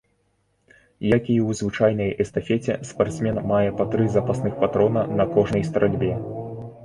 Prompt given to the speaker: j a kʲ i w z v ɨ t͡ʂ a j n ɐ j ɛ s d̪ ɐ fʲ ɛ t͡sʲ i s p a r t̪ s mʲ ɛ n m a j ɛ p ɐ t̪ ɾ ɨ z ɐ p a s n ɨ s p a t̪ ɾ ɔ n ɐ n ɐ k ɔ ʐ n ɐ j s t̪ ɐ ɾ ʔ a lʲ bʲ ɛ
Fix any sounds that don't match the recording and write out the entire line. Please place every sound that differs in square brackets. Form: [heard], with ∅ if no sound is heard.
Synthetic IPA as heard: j a kʲ i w z v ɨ t͡ʂ a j n ɐ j ɛ s [t̪] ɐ fʲ ɛ t͡sʲ [ɛ] s p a r t̪ s mʲ ɛ n m a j ɛ p ɐ t̪ ɾ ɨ z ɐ p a s n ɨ [x] p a t̪ ɾ ɔ n ɐ n ɐ k ɔ ʐ n ɐ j s t̪ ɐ ɾ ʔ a lʲ bʲ ɛ